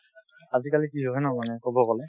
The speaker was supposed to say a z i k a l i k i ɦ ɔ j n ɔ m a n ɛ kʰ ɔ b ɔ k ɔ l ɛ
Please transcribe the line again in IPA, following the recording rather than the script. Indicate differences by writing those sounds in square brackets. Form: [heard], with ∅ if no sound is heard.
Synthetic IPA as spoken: a z i k a l i k i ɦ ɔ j n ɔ m a n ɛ [k] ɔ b ɔ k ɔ l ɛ